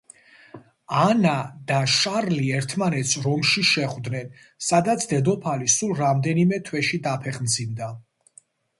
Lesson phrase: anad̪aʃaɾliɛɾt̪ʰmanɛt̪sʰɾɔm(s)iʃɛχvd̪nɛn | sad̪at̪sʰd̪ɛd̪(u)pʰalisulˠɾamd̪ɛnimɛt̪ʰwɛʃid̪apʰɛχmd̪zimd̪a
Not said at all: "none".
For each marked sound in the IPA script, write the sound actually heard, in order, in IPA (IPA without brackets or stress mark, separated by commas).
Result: ʃ, ɔ